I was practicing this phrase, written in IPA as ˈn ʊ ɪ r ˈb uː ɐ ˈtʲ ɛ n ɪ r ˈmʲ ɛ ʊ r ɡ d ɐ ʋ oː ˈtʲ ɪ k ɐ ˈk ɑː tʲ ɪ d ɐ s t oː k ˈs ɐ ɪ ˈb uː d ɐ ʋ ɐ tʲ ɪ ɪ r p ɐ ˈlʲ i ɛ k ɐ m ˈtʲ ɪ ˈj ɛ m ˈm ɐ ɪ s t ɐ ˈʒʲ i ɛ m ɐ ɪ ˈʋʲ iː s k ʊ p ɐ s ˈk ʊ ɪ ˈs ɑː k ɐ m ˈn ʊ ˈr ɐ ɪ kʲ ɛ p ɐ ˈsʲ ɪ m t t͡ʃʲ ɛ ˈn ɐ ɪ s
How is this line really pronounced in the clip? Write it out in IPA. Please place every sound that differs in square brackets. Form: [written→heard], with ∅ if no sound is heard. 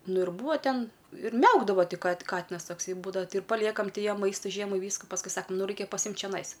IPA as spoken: ˈn ʊ ɪ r ˈb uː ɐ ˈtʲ ɛ n ɪ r ˈmʲ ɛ ʊ [r→∅] ɡ d ɐ ʋ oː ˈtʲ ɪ k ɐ ˈk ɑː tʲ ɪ [d→n] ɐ s t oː k ˈs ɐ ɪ ˈb uː d ɐ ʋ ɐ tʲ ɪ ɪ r p ɐ ˈlʲ i ɛ k ɐ m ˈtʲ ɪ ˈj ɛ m ˈm ɐ ɪ s t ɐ ˈʒʲ i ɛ m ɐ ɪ ˈʋʲ iː s k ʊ p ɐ s ˈk ʊ ɪ ˈs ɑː k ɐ m ˈn ʊ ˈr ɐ ɪ kʲ ɛ p ɐ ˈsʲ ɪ m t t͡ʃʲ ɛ ˈn ɐ ɪ s